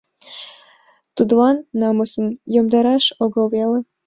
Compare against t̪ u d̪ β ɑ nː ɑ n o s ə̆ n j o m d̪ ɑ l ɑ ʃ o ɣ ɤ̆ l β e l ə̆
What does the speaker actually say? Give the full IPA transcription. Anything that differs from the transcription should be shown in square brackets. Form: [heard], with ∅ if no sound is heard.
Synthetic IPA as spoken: t̪ u d̪ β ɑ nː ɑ [m] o s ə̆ n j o m d̪ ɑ [ɾ] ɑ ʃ o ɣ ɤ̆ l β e l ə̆